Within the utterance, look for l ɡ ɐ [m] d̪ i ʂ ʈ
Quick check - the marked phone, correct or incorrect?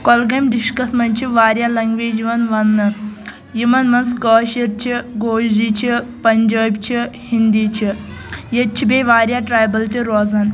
correct